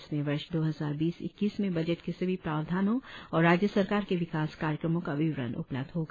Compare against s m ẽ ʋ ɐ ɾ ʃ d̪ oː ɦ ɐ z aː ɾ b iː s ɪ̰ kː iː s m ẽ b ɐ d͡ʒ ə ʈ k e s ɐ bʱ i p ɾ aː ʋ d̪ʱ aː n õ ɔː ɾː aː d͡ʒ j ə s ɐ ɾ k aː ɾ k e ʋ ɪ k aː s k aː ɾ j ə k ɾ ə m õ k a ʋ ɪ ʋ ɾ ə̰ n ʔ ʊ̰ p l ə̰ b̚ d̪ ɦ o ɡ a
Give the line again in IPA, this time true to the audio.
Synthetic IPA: s m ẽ ʋ ɐ ɾ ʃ d̪ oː ɦ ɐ z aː ɾ b iː s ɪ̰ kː iː s m ẽ b ɐ d͡ʒ ə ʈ k e s ɐ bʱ i p ɾ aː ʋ d̪ʱ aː n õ ɔː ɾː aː d͡ʒ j ə s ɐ ɾ k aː ɾ k e ʋ ɪ k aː s k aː ɾ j ə k ɾ ə m õ k a ʋ ɪ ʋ ɾ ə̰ n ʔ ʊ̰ p l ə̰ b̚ d̪ ɦ o ɡ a